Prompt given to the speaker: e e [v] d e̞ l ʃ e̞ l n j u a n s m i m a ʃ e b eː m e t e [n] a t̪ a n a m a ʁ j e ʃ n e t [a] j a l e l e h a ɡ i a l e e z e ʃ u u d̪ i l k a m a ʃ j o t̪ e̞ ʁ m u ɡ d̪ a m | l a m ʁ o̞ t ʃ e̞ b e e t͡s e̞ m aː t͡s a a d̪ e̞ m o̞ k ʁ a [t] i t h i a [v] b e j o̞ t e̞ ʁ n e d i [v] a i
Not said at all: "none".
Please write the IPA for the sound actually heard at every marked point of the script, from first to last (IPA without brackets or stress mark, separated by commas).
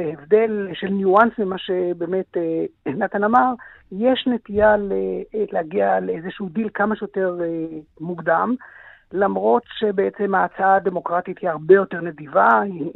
v, n, i, t, ʁ, v